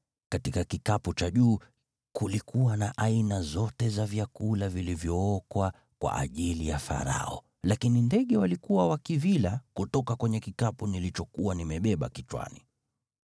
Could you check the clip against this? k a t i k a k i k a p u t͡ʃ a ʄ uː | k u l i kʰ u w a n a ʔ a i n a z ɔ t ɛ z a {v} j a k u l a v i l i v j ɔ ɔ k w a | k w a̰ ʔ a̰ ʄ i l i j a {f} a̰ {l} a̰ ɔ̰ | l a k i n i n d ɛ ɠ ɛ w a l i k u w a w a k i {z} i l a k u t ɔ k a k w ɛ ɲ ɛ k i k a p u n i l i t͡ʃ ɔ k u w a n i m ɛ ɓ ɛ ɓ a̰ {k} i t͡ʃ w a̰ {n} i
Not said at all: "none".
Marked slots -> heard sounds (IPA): v, f, ɾ, v, k, n

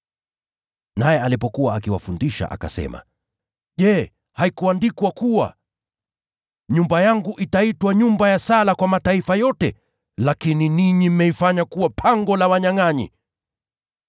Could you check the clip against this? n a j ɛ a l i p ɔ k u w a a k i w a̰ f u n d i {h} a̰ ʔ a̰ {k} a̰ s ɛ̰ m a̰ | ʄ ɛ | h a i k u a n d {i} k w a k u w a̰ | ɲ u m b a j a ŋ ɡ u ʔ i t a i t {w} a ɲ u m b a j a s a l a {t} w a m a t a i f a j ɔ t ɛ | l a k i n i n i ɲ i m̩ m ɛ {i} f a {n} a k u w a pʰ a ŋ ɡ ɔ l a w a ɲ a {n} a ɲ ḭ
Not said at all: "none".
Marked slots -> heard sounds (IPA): ʃ, k, i, w, k, i, ɲ, ŋ

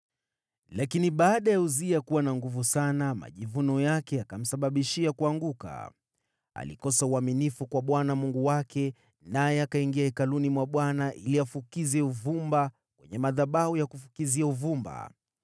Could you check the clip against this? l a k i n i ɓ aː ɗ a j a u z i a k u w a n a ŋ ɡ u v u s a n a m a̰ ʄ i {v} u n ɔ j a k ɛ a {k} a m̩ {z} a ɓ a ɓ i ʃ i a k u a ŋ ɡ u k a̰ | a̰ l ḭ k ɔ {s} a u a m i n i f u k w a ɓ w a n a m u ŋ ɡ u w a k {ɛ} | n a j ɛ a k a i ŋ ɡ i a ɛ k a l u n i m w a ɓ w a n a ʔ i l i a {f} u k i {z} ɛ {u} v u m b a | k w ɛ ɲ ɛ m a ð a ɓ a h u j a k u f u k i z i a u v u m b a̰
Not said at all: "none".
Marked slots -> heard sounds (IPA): v, k, s, s, ɛ, f, z, u

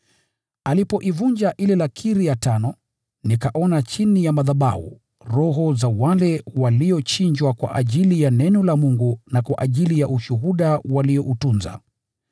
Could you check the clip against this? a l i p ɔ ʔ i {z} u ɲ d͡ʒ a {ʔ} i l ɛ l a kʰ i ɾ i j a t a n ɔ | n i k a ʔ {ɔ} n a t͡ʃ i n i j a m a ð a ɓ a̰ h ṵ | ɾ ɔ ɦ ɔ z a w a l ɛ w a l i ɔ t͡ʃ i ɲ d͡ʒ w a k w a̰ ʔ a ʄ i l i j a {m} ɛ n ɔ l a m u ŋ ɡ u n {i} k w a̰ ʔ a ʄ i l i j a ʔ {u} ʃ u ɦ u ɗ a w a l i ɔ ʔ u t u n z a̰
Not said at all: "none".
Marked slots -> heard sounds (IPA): v, ʔ, ɔ, n, a, u

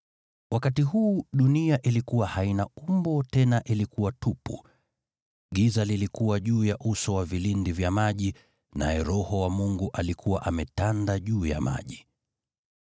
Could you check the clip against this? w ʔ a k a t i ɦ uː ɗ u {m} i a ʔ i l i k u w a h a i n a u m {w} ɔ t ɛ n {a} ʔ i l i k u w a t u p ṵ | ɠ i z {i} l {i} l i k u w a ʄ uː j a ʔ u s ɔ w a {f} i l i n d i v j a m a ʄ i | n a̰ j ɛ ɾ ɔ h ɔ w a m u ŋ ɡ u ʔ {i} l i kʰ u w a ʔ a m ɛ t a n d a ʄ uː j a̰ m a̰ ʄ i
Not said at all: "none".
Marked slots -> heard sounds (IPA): n, b, a, a, i, v, a

